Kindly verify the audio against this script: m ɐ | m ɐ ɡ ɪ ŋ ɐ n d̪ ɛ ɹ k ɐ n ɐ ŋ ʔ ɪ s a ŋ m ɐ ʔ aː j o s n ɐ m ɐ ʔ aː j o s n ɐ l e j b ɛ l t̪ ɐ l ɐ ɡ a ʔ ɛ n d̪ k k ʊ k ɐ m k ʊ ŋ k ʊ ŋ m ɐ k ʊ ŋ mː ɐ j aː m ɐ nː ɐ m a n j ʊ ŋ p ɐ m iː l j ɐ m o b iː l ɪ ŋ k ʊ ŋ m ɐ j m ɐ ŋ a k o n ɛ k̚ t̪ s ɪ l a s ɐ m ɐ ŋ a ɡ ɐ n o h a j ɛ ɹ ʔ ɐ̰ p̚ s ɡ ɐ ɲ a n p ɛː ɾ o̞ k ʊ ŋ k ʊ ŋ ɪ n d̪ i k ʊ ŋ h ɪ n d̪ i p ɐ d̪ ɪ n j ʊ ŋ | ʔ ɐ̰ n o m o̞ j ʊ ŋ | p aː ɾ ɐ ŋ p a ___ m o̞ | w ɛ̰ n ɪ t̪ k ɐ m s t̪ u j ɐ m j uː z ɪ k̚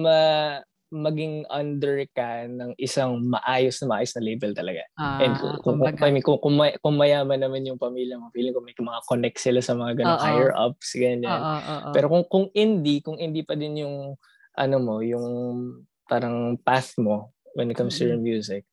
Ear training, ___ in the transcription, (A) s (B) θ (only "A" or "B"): B